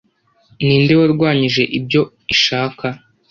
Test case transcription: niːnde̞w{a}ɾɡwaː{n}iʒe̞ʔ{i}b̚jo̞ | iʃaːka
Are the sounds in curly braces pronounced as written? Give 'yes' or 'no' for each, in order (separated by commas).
yes, no, yes